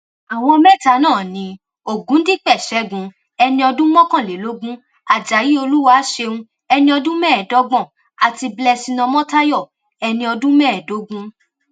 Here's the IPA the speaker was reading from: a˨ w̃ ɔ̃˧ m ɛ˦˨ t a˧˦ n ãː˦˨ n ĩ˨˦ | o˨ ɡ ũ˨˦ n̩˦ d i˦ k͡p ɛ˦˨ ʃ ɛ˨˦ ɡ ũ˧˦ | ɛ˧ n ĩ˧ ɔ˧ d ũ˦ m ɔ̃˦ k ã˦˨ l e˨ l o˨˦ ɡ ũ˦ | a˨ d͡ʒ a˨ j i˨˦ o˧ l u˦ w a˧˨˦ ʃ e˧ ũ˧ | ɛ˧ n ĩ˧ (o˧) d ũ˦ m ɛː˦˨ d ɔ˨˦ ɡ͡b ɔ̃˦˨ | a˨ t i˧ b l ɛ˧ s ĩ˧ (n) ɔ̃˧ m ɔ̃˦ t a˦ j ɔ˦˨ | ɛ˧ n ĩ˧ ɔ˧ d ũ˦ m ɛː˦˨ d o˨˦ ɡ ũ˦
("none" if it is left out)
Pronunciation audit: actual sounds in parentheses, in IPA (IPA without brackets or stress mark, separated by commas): ɔ˧, n